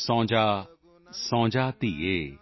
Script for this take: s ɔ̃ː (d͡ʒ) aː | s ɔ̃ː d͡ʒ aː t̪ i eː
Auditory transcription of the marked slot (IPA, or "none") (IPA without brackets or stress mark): d͡ʒ